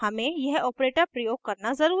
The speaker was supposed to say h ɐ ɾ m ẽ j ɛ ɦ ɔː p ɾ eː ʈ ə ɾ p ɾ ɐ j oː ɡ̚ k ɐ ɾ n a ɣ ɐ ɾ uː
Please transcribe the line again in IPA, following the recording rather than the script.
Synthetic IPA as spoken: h ɐ m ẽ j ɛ ɦ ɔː p ɾ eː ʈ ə ɾ p ɾ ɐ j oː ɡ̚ k ɐ ɾ n a z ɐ ɾ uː

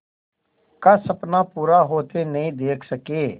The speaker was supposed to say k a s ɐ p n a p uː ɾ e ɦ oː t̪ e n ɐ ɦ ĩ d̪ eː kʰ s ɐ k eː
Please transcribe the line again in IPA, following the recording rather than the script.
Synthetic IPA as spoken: k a s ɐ p n a p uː ɾ a ɦ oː t̪ e n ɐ ɦ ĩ d̪ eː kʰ s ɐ k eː

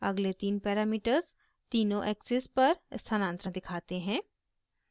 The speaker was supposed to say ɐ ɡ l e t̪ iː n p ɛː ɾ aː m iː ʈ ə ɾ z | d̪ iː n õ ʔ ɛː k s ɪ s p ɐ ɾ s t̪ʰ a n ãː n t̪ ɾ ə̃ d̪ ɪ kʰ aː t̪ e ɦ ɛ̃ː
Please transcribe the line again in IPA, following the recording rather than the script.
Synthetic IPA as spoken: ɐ ɡ l e t̪ iː n p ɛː ɾ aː m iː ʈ ə ɾ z | t̪ iː n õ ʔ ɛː k s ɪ s p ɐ ɾ s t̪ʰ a n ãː n t̪ ɾ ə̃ d̪ ɪ kʰ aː t̪ e ɦ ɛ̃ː

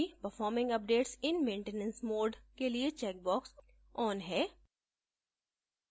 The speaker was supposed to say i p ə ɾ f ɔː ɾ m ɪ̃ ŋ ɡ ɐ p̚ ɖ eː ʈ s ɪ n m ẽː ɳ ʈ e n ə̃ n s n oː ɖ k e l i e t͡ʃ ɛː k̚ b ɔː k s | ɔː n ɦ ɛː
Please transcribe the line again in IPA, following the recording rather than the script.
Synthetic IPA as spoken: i p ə ɾ f ɔː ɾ m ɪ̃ ŋ ɡ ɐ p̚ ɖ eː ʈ s ɪ n m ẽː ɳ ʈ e n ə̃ n s m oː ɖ k e l i e t͡ʃ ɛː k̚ b ɔː k s | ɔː n ɦ ɛː

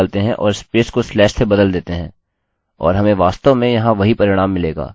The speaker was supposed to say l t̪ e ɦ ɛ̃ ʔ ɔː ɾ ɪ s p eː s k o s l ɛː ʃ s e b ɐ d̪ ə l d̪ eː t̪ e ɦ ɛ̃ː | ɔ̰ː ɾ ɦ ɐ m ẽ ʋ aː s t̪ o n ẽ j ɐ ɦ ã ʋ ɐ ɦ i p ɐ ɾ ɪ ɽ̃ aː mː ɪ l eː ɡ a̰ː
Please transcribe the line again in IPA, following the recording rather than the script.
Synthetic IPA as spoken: l t̪ e ɦ ɛ̃ ʔ ɔː ɾ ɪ s p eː s k o s l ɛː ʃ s e b ɐ d̪ ə l d̪ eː t̪ e ɦ ɛ̃ː | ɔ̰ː ɾ ɦ ɐ m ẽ ʋ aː s t̪ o m ẽ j ɐ ɦ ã ʋ ɐ ɦ i p ɐ ɾ ɪ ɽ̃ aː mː ɪ l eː ɡ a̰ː

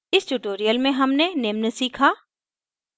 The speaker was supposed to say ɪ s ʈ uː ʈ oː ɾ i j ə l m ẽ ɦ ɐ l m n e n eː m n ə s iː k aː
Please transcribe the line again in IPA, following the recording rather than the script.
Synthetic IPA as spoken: ɪ s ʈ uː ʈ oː ɾ i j ə l m ẽ ɦ ɐ m n e n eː m n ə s iː kʰ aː

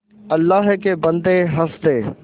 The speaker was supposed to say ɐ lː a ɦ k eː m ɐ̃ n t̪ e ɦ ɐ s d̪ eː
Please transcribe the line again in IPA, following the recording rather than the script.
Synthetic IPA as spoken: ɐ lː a ɦ k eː b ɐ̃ n d̪ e ɦ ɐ s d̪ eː

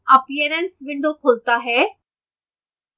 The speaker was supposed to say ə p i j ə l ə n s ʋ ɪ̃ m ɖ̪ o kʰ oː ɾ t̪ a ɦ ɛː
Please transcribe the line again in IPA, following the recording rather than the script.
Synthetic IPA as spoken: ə p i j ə ɾ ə n s ʋ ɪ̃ ɳ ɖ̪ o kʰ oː l t̪ a ɦ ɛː

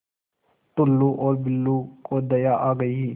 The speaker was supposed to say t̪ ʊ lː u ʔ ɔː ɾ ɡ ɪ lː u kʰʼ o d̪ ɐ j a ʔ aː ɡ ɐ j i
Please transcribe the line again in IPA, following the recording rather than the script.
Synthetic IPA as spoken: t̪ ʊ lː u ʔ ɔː ɾ b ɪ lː u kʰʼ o d̪ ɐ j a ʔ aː ɡ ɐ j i

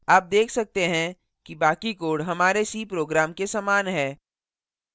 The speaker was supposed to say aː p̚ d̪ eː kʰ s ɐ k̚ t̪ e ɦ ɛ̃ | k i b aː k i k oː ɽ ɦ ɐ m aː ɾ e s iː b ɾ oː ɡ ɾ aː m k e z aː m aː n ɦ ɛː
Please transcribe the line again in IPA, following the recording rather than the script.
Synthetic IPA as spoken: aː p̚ d̪ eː kʰ s ɐ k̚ t̪ e ɦ ɛ̃ | k i b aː k i k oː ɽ ɦ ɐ m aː ɾ e s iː p ɾ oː ɡ ɾ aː m k e s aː m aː n ɦ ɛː

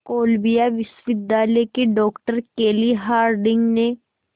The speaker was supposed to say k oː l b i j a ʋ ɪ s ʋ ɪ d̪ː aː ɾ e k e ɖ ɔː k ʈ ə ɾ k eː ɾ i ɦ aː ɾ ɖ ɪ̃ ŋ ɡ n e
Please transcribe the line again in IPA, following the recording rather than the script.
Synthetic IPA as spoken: k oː l b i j a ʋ ɪ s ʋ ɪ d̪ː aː l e k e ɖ ɔː k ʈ ə ɾ k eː l i ɦ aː ɾ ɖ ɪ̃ ŋ ɡ n e

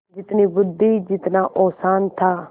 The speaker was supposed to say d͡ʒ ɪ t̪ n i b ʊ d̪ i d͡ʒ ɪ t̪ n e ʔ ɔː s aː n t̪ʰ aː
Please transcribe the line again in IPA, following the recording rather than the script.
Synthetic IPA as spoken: d͡ʒ ɪ t̪ n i b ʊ d̪ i d͡ʒ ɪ t̪ n a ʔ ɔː s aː n t̪ʰ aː

